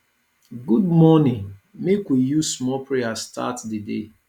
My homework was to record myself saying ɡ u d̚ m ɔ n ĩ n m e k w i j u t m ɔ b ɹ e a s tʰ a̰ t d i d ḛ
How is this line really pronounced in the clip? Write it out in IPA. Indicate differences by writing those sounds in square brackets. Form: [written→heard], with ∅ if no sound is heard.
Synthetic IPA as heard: ɡ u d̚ m ɔ n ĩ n m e k w i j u [t→s] m ɔ [b→p] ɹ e a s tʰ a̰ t d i d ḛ